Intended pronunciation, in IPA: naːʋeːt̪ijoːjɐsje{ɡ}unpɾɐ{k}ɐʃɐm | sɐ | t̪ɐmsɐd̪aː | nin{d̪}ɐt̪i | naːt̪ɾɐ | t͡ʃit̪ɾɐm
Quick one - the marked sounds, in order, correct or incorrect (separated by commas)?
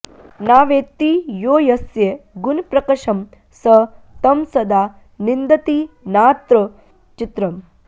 correct, correct, correct